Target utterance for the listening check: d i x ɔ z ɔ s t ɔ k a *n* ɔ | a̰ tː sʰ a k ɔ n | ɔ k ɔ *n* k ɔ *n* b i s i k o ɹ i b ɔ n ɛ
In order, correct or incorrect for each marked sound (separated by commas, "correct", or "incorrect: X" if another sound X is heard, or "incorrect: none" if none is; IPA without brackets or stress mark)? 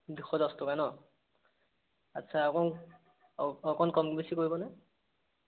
correct, correct, incorrect: m